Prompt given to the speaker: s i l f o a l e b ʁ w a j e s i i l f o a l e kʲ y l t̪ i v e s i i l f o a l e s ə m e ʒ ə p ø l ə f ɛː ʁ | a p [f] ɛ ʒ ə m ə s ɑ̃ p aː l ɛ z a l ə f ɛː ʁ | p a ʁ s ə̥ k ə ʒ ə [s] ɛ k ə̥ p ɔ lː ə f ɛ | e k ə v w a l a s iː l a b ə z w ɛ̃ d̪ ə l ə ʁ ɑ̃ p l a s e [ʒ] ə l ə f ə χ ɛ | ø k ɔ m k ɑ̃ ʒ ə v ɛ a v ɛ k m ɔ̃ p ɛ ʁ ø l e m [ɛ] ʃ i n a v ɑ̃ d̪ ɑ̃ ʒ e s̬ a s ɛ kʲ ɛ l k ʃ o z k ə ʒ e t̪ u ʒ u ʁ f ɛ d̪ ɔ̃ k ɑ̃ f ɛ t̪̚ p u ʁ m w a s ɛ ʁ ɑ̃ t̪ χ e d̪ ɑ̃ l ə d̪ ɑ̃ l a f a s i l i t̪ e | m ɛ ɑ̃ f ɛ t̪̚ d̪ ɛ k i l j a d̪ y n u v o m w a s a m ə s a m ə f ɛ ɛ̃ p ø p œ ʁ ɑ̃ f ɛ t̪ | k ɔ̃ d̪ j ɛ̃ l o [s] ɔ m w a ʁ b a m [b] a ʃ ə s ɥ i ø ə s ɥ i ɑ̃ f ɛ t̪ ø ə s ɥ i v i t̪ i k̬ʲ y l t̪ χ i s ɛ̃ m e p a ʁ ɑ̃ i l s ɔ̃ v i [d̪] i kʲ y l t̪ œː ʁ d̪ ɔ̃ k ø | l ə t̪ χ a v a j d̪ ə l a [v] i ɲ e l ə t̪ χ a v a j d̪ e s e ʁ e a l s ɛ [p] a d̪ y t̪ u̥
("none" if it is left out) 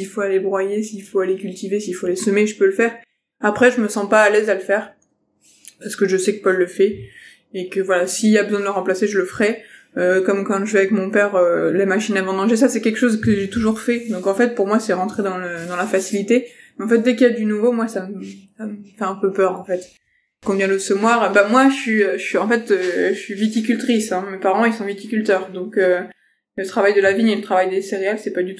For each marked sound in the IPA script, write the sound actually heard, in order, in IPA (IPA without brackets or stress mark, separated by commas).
χ, s, ʒ, a, s, w, t̪, v, p